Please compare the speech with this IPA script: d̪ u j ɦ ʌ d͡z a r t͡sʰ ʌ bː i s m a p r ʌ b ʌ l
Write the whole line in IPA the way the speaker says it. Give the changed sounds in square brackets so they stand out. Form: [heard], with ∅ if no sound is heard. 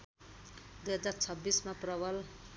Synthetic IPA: d̪ u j ɦ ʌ d͡z a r t͡sʰ ʌ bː i s m a p r ʌ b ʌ l